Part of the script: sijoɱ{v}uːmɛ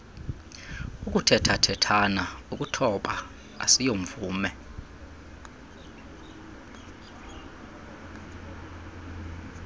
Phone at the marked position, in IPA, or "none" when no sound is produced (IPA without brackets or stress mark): v